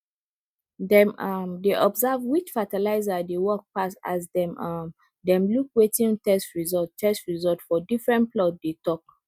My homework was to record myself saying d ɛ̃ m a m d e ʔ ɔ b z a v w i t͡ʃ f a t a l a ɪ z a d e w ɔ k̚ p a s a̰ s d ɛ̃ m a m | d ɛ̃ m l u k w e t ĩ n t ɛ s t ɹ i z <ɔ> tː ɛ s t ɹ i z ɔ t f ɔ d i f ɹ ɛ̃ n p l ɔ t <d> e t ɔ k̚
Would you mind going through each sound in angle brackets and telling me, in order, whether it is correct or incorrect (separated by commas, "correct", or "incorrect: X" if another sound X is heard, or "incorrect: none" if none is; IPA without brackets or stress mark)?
correct, correct